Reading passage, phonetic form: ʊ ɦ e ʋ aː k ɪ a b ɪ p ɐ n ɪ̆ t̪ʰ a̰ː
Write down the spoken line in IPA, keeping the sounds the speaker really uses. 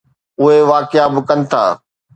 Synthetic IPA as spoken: ʊ ɦ e ʋ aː k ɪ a b ɪ k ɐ n ɪ̆ t̪ʰ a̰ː